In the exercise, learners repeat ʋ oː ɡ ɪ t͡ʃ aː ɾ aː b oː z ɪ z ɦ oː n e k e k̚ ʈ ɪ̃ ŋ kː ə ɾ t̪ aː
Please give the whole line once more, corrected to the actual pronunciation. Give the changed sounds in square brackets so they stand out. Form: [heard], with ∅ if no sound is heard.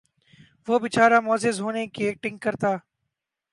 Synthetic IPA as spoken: ʋ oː [b] ɪ t͡ʃ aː ɾ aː [m] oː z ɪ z ɦ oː n e k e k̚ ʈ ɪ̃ ŋ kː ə ɾ t̪ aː